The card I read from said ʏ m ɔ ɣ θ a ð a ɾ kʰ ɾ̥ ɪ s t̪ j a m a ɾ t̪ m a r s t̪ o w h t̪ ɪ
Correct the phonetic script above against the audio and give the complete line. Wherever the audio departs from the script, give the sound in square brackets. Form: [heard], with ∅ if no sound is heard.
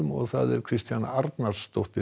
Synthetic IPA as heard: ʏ m ɔ ɣ θ a ð [ɛ] ɾ kʰ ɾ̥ ɪ s t̪ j a [n] a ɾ t̪ [n] a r s t̪ o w h t̪ ɪ

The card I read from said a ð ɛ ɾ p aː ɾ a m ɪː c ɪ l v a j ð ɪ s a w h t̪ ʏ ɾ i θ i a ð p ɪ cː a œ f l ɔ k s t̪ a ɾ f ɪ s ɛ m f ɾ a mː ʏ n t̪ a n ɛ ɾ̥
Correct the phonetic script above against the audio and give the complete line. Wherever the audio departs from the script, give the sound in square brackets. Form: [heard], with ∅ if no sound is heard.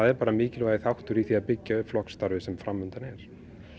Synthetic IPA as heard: a ð ɛ ɾ p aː ɾ a m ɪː c ɪ l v a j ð ɪ [θ] a w h t̪ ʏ ɾ i θ i a ð p ɪ cː a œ f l ɔ k s t̪ a ɾ [v] ɪ s ɛ m f ɾ a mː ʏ n t̪ a n ɛ ɾ̥

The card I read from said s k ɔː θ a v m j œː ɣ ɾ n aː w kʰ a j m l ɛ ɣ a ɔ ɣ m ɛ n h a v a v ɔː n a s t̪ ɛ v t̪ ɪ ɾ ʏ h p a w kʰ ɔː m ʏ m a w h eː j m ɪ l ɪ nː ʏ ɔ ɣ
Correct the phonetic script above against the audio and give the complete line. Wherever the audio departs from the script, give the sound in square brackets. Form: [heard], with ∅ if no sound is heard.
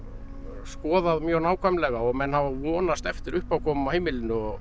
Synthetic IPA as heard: s k ɔː [ð] a [ð] m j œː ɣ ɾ n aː w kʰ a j m l ɛ ɣ a ɔ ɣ m ɛ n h a v a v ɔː n a s t̪ ɛ [f] t̪ ɪ ɾ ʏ h p a w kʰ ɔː m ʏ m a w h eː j m ɪ l ɪ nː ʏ ɔ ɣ

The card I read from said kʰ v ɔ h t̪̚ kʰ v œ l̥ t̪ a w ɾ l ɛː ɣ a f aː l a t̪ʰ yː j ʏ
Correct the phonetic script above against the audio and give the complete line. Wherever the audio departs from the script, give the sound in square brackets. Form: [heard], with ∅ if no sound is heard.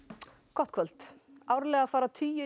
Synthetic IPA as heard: kʰ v ɔ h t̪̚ kʰ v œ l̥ t̪ a w ɾ l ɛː ɣ a f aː [ɾ] a t̪ʰ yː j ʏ

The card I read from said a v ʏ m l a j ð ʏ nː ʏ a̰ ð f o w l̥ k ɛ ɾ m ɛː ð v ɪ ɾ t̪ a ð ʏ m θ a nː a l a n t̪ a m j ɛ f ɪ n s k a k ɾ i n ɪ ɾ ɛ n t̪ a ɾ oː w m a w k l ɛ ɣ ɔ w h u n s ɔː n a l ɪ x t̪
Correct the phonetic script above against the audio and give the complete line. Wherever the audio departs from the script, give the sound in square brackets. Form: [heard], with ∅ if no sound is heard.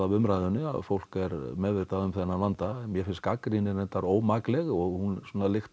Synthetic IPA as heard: a v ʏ m [ɾ] a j ð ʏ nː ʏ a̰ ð f o w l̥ k ɛ ɾ m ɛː ð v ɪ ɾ t̪ a ð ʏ m θ [ɛ] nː a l a n t̪ a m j ɛ f ɪ n s k a k ɾ i n ɪ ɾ ɛ n t̪ a ɾ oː w m a [∅] k l ɛ ɣ ɔ [ɣ] h u n s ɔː n a l ɪ x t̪

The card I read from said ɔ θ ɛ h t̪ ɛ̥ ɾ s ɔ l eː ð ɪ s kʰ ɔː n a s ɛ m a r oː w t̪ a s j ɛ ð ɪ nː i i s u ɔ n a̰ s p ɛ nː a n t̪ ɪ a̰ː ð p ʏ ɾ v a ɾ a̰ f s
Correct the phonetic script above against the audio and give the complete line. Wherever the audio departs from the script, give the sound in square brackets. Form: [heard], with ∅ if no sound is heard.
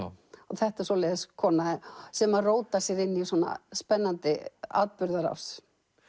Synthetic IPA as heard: ɔ θ ɛ h t̪ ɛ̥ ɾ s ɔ l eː ð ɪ s kʰ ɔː n a s ɛ m a r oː w t̪ a s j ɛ ð ɪ nː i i s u ɔ n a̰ s p ɛ nː a n t̪ ɪ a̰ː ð p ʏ ɾ [ð] a ɾ a̰ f s

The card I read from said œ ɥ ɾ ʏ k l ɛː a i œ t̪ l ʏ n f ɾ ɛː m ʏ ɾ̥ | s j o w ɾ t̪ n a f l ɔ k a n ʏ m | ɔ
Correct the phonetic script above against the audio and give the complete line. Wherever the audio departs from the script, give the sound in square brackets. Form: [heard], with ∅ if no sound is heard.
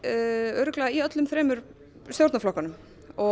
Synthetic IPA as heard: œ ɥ ɾ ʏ k l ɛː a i œ t̪ l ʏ [m] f ɾ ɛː m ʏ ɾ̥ | s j o w ɾ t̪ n a f l ɔ k a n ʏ m | ɔ

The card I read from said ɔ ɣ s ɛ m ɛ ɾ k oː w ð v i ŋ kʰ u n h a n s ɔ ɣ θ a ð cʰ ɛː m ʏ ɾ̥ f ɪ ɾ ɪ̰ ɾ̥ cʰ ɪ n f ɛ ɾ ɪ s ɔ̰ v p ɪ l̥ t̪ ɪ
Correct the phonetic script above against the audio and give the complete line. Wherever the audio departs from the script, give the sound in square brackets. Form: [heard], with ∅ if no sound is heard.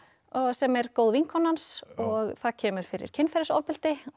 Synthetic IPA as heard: ɔ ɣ s ɛ m ɛ ɾ k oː w ð v i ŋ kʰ [ɔ] n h a n s ɔ ɣ θ a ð cʰ ɛː m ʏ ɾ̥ f ɪ ɾ ɪ̰ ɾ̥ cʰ ɪ n f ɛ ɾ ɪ s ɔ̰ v p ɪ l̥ t̪ ɪ

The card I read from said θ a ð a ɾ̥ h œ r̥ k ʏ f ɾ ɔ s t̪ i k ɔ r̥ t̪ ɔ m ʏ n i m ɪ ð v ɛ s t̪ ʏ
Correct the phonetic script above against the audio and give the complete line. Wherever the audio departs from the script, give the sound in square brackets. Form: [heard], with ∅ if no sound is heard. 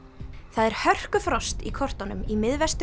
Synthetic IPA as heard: θ a ð [ɛ] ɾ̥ h œ r̥ k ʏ f ɾ ɔ s t̪ i [kʰ] ɔ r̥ t̪ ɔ [n] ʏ [m] i m ɪ ð v ɛ s t̪ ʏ

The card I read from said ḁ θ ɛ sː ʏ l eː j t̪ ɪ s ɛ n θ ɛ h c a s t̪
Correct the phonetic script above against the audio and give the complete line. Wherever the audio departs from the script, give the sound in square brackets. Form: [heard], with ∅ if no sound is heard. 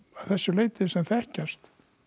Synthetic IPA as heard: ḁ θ ɛ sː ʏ l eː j t̪ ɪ s ɛ [m] θ ɛ h c a s t̪

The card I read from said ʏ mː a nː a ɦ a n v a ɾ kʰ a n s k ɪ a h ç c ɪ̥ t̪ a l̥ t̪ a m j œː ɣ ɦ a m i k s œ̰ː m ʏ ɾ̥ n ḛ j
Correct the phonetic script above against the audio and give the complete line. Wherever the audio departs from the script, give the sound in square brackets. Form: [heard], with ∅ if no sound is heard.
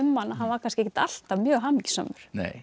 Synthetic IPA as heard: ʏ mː a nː a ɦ a n v a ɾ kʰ a n s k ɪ [e] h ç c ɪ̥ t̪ a l̥ t̪ a m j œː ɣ ɦ a m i [c] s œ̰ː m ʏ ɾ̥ n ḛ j

